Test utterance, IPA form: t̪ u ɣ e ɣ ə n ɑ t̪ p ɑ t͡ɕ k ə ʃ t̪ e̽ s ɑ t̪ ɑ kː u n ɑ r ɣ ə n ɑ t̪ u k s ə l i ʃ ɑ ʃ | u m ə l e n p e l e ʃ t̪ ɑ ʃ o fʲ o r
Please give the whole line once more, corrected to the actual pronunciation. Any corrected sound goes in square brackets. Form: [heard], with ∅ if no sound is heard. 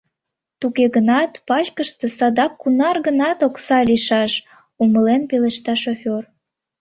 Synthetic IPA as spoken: t̪ u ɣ e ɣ ə n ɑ t̪ p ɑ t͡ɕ k ə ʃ t̪ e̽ s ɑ [d̪] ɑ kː u n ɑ r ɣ ə n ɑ t̪ [o] k s [ɑ] l i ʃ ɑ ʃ | u m ə l e n p e l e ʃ t̪ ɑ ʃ o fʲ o r